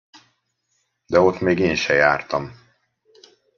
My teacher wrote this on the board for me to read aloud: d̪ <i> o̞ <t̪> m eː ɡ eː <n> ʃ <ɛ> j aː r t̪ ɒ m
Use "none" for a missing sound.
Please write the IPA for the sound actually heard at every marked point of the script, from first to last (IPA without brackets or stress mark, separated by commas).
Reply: ɛ, t̪, n, ɛ